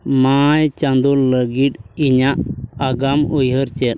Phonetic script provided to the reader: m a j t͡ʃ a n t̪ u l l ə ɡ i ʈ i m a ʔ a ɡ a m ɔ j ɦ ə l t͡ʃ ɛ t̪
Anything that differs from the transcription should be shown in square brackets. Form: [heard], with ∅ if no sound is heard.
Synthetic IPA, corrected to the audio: m a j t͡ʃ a n [d̪] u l l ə ɡ i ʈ i [ɲ] a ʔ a ɡ a m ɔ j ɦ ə [ɾ] t͡ʃ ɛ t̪